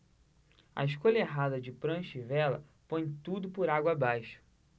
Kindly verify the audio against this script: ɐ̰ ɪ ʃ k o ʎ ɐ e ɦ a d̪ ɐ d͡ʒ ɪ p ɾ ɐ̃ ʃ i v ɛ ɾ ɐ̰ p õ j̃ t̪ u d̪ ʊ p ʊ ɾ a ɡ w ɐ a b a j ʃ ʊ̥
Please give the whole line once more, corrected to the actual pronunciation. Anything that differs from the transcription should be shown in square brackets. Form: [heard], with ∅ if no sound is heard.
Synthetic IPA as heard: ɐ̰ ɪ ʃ k o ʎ ɐ e ɦ a d̪ ɐ d͡ʒ ɪ p ɾ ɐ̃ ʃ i v ɛ [l] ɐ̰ p õ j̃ t̪ u d̪ ʊ p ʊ ɾ a ɡ w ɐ a b a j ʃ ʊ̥